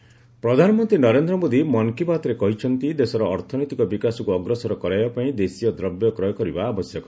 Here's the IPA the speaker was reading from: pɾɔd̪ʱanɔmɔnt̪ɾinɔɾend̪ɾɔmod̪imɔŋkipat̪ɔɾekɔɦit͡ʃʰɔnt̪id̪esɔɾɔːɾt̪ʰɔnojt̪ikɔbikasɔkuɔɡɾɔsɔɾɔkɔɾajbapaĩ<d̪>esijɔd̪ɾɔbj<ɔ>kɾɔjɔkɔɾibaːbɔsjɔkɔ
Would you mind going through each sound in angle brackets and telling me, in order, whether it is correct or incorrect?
correct, correct

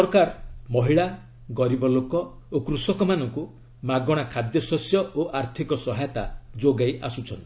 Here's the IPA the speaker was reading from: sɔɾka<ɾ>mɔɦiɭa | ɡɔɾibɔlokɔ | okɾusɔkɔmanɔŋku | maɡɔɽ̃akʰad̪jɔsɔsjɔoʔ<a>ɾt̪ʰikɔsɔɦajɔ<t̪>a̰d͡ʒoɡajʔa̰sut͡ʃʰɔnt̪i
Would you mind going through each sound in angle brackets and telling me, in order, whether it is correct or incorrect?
correct, correct, correct

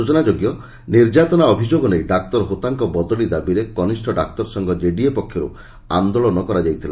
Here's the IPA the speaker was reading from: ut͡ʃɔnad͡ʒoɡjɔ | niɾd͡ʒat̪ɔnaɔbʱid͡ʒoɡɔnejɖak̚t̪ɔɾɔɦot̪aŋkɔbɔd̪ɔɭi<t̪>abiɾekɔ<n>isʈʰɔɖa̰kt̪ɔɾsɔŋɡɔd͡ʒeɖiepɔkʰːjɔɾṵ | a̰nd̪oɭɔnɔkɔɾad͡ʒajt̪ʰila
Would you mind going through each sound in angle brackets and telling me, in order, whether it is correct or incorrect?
incorrect: d̪, correct

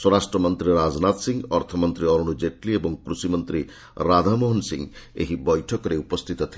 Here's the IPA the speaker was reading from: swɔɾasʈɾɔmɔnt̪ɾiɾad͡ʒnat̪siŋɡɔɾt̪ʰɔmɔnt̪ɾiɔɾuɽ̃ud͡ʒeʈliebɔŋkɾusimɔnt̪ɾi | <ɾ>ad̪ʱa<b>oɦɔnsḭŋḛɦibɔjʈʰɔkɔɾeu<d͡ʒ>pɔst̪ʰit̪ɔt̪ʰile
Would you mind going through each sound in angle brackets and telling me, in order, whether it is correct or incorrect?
correct, incorrect: m, incorrect: none

